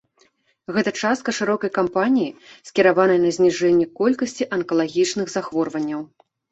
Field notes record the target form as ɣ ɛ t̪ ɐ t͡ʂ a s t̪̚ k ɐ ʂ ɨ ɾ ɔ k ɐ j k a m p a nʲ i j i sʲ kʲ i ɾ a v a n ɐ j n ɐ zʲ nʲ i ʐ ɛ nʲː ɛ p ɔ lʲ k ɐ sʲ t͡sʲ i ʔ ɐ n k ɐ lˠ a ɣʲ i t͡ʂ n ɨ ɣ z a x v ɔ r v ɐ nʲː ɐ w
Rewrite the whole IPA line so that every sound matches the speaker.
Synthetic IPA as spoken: ɣ ɛ t̪ ɐ t͡ʂ a s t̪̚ k ɐ ʂ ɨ ɾ ɔ k ɐ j k a m p a nʲ i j i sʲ kʲ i ɾ a v a n ɐ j n ɐ zʲ nʲ i ʐ ɛ nʲː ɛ k ɔ lʲ k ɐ sʲ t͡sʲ i ʔ ɐ n k ɐ lˠ a ɣʲ i t͡ʂ n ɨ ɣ z a x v ɔ r v ɐ nʲː ɐ w